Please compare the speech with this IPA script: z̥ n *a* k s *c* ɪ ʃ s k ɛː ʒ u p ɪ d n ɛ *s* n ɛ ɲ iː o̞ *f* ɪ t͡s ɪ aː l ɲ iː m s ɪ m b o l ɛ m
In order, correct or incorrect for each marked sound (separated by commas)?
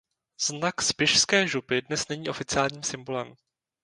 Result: correct, incorrect, correct, correct